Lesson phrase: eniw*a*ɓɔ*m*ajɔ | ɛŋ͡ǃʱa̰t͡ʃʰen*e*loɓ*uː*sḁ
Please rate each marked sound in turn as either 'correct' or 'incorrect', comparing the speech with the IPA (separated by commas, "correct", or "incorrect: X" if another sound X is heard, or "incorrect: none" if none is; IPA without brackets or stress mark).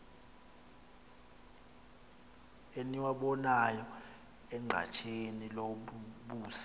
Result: correct, incorrect: n, incorrect: i, correct